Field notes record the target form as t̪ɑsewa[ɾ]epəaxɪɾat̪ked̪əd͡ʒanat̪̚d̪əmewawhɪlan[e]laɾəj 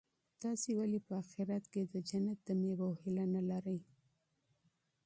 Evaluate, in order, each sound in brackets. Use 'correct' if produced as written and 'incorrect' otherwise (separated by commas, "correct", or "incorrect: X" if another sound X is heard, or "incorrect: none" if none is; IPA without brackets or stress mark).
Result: incorrect: l, incorrect: a